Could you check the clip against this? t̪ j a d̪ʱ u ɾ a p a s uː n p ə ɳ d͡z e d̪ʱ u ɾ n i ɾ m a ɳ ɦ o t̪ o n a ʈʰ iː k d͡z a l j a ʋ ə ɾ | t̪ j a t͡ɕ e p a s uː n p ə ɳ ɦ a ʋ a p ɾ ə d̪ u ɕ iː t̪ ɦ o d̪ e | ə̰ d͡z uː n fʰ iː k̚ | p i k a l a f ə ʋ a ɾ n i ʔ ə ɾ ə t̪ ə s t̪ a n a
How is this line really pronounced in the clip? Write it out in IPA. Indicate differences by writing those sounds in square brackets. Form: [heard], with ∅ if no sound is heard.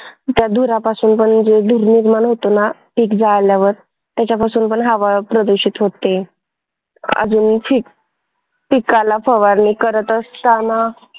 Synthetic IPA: t̪ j a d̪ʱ u ɾ a p a s uː n p ə ɳ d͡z e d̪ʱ u ɾ n i ɾ m a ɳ ɦ o t̪ o n a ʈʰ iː k d͡z a l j a ʋ ə ɾ | t̪ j a t͡ɕ [a] p a s uː n p ə ɳ ɦ a ʋ a p ɾ ə d̪ u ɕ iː t̪ ɦ o [t̪] e | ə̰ d͡z uː n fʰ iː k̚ | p i k a l a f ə ʋ a ɾ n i [k] ə ɾ ə t̪ ə s t̪ a n a

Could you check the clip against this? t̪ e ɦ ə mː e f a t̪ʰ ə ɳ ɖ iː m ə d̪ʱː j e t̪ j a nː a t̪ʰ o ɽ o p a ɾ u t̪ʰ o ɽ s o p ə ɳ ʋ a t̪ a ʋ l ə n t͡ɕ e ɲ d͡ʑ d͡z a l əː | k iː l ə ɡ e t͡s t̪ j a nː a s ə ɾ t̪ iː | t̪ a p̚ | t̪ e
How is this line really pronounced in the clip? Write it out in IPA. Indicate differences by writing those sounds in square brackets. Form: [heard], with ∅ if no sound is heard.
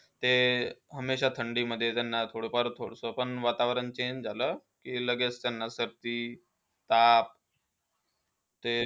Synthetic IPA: t̪ e ɦ ə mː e [ɕ] a t̪ʰ ə ɳ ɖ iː m ə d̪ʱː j e t̪ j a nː a t̪ʰ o ɽ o p a ɾ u t̪ʰ o ɽ s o p ə ɳ ʋ a t̪ a ʋ [ɾ] ə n t͡ɕ e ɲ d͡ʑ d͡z a l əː | k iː l ə ɡ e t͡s t̪ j a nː a s ə ɾ t̪ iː | t̪ a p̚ | t̪ e

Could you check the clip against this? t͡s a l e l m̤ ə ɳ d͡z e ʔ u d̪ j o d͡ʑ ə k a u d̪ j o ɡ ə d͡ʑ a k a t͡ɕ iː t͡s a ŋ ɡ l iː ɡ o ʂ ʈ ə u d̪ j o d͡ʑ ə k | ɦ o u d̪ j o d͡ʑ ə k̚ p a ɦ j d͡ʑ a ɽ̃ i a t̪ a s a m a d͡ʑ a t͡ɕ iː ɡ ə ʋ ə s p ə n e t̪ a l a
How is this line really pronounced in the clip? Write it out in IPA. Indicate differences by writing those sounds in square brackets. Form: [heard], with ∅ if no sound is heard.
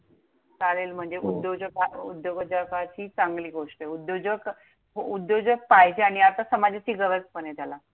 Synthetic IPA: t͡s a l e l m̤ ə ɳ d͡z e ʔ u d̪ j o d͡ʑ ə k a u d̪ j o ɡ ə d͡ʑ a k a t͡ɕ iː t͡s a ŋ ɡ l iː ɡ o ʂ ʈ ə u d̪ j o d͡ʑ ə k | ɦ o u d̪ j o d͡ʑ ə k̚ p a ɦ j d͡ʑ a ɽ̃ i a t̪ a s [ə] m a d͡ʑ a t͡ɕ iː ɡ ə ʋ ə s p ə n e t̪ a l a

